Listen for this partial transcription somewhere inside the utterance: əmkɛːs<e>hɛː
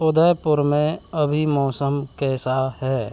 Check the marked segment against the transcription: incorrect: a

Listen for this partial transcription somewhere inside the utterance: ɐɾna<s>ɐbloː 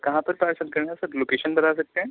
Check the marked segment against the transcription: correct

